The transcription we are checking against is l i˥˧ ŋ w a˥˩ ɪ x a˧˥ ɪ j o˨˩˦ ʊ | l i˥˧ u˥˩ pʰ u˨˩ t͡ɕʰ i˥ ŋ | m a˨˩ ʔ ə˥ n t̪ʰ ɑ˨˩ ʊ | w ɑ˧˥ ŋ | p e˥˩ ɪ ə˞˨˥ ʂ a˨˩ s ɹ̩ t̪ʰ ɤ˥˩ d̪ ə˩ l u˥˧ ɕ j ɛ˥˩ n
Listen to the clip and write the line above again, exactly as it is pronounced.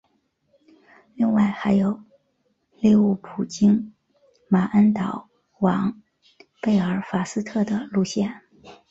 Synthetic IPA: l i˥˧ ŋ w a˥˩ ɪ x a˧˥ ɪ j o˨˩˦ ʊ | l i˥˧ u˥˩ pʰ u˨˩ t͡ɕ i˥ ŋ | m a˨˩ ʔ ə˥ n t̪ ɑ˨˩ ʊ | w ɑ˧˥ ŋ | p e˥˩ ɪ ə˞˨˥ f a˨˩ s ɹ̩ t̪ʰ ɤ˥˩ d̪ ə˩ l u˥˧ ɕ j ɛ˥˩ n